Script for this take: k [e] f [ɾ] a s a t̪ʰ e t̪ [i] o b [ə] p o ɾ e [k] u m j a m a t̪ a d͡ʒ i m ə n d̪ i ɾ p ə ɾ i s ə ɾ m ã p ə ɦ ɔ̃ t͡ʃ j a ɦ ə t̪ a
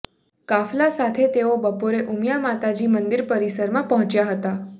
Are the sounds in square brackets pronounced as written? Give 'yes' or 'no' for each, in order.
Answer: no, no, no, yes, no

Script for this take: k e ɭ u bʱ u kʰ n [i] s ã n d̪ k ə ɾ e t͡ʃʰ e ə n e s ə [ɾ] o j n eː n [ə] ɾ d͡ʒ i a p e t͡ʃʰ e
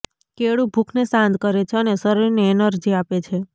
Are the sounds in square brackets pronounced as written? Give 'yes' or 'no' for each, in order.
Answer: no, yes, yes

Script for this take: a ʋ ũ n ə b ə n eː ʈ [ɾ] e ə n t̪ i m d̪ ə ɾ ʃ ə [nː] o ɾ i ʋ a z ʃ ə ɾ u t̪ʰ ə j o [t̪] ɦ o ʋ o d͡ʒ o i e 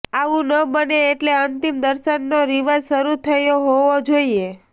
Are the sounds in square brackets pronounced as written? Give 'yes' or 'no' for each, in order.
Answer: no, yes, no

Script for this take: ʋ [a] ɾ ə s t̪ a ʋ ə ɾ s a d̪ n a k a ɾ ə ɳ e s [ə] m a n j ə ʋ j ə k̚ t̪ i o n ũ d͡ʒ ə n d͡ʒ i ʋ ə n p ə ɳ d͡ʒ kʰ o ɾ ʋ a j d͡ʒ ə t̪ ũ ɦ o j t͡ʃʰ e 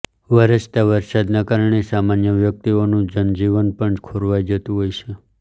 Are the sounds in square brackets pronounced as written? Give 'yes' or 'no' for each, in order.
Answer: no, no

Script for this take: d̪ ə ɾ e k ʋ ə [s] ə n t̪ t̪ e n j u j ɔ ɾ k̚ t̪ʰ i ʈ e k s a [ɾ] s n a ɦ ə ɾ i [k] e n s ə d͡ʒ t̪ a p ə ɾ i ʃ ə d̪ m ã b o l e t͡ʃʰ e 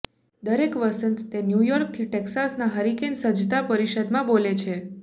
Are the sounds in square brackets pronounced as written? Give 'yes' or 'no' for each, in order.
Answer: yes, no, yes

